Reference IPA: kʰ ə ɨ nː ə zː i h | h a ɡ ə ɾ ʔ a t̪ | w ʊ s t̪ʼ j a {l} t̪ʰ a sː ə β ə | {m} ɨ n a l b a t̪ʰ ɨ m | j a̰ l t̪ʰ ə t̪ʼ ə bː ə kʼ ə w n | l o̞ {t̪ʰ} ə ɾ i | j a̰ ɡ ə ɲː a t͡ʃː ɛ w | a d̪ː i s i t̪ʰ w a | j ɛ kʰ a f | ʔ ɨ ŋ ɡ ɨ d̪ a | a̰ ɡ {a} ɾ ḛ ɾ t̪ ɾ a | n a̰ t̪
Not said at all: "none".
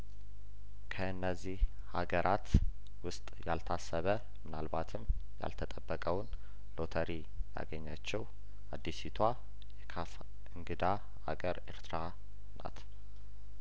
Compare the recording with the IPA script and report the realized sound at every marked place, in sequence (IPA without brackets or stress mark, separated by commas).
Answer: l, m, t̪ʰ, ə